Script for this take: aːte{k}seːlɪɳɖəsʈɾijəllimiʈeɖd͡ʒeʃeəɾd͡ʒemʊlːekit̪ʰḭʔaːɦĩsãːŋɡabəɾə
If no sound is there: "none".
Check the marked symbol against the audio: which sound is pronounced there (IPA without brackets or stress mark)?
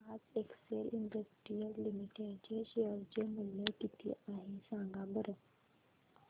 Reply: k